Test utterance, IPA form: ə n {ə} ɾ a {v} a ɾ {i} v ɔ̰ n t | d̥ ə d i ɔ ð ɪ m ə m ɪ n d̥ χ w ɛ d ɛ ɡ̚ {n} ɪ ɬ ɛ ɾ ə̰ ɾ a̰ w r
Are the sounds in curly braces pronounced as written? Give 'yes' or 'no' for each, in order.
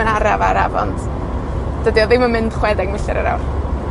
no, yes, no, no

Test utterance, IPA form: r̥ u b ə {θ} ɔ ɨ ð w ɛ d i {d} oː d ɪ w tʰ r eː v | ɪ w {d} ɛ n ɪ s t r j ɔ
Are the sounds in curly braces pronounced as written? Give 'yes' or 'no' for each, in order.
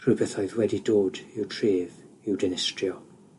yes, yes, yes

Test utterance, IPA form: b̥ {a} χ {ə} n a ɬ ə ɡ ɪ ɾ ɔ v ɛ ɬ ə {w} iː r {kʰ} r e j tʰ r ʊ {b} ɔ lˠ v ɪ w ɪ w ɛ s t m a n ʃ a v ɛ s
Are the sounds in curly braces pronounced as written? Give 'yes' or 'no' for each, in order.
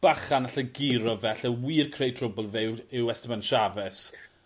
yes, no, yes, yes, yes

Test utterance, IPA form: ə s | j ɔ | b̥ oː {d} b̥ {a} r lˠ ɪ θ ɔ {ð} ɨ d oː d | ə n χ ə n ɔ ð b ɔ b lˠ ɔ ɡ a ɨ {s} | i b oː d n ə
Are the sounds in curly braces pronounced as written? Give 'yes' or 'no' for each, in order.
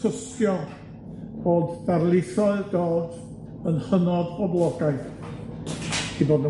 yes, yes, no, no

